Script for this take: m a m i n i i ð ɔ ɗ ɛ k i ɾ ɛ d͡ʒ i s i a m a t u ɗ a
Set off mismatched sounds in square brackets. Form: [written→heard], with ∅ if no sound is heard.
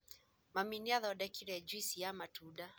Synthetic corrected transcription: m a m i n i [i→a] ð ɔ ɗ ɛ k i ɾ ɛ d͡ʒ i s i a m a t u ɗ a